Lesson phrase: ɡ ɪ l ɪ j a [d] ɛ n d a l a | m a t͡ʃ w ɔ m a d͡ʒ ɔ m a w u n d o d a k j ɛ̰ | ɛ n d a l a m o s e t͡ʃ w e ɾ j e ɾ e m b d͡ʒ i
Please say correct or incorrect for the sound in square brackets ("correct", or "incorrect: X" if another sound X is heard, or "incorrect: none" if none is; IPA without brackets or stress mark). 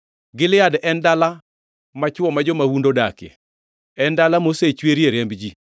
correct